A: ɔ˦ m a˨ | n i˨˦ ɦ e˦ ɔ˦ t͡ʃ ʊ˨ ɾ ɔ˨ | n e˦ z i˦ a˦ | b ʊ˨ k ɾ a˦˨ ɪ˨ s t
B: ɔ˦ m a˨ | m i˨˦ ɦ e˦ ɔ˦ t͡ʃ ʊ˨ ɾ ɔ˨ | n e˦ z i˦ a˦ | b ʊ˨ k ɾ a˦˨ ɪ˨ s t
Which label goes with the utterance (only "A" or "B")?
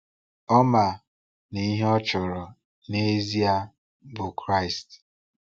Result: A